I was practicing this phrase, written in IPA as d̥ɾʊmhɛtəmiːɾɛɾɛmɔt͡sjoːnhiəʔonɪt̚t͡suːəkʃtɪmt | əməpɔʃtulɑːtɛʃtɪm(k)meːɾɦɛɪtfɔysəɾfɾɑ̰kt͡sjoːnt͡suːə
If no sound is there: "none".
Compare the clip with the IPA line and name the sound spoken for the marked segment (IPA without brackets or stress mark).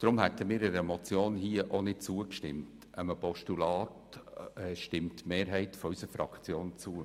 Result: t